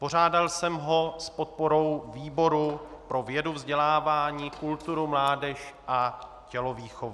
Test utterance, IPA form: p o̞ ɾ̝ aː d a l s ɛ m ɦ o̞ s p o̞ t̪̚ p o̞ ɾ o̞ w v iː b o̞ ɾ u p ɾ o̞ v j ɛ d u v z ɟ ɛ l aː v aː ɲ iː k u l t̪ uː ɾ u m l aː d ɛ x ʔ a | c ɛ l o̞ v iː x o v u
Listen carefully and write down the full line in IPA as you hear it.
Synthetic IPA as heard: p o̞ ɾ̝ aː d a l s ɛ m ɦ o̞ s p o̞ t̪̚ p o̞ ɾ o̞ w v iː b o̞ ɾ u p ɾ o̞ v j ɛ d u v z ɟ ɛ l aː v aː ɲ iː k u l t̪ u ɾ u m l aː d ɛ ʃ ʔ a | c ɛ l o̞ v iː x o v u